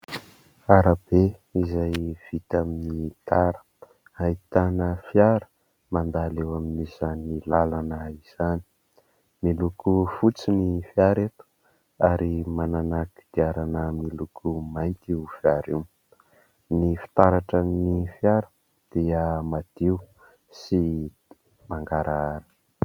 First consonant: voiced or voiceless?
voiced